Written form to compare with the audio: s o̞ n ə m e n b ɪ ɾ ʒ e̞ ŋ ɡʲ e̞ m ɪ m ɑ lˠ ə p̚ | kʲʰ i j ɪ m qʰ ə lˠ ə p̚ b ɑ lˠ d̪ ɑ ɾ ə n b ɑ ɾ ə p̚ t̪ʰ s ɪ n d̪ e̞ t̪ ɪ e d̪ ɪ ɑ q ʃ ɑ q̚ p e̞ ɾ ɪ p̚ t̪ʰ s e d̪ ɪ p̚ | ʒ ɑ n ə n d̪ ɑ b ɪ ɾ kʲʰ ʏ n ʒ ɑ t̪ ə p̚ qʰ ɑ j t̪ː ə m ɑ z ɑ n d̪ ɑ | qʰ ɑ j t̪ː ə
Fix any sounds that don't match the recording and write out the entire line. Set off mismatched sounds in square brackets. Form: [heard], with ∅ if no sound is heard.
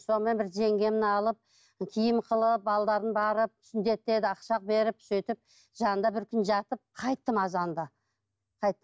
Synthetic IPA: s o̞ n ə m e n b ɪ ɾ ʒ e̞ ŋ ɡʲ e̞ m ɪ [n] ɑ lˠ ə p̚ | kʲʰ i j ɪ m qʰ ə lˠ ə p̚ b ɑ lˠ d̪ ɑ ɾ ə n b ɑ ɾ ə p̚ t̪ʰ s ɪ n d̪ e̞ t̪ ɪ e d̪ ɪ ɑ q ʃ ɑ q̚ [b] e̞ ɾ ɪ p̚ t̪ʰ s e [t̪] ɪ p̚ | ʒ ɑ n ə n d̪ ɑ b ɪ ɾ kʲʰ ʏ n ʒ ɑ t̪ ə p̚ qʰ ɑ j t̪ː ə m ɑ z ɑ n d̪ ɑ | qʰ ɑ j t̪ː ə